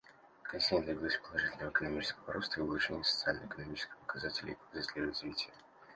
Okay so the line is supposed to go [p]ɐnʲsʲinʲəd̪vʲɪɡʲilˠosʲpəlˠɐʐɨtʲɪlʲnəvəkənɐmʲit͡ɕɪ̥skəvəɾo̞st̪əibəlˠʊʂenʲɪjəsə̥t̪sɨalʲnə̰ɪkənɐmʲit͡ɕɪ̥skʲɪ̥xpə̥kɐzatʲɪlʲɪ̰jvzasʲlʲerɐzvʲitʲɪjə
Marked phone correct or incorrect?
incorrect